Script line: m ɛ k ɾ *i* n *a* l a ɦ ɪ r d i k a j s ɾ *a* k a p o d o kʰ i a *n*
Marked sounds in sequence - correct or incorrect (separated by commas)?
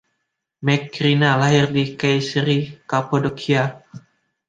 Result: correct, correct, incorrect, incorrect